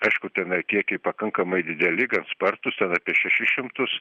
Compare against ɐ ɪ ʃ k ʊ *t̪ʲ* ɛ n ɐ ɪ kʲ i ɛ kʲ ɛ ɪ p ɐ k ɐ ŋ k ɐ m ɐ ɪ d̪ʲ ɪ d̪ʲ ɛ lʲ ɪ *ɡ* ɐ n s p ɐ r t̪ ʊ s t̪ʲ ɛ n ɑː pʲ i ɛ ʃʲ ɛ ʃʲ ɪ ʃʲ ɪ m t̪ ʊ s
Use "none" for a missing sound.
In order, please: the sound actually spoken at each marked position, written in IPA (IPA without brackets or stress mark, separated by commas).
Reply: t̪ʲ, ɡ